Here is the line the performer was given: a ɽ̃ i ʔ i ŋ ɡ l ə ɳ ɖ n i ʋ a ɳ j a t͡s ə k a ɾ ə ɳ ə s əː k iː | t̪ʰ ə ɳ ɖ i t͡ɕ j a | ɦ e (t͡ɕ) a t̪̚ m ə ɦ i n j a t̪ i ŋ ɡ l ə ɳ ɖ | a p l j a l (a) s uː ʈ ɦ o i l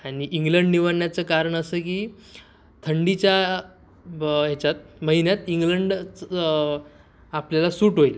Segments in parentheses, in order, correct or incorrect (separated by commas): correct, correct